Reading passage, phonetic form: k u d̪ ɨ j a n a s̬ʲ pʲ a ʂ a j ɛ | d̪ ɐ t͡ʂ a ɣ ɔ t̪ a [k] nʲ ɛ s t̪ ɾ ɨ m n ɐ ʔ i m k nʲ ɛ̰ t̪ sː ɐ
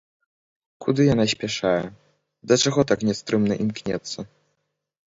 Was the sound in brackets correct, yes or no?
yes